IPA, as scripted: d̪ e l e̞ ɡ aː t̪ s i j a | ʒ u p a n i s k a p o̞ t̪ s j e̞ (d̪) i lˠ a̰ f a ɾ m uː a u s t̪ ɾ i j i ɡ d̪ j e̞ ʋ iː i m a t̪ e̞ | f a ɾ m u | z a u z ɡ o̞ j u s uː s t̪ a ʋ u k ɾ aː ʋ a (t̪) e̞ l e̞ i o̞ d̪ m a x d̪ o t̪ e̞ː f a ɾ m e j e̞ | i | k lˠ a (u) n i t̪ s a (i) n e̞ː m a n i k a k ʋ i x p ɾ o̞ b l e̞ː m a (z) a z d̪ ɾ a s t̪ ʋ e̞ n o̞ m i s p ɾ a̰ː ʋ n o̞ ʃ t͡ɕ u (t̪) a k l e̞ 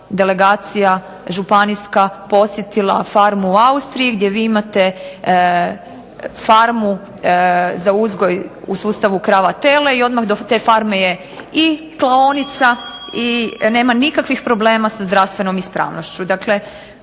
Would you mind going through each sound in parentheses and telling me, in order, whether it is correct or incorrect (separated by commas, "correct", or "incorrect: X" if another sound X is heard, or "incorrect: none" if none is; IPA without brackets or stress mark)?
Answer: incorrect: t̪, correct, incorrect: o, correct, incorrect: s, incorrect: d̪